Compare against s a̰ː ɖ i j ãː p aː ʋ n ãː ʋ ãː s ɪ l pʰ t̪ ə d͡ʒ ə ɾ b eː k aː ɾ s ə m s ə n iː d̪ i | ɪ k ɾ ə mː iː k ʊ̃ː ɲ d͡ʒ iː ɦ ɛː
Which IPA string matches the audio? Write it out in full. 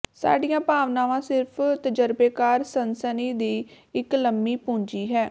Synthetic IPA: s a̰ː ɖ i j ãː p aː ʋ n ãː ʋ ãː s ɪ ɾ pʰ t̪ ə d͡ʒ ə ɾ b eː k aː ɾ s ə n s ə n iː d̪ iː | ɪ k l ə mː iː p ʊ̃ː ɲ d͡ʒ iː ɦ ɛː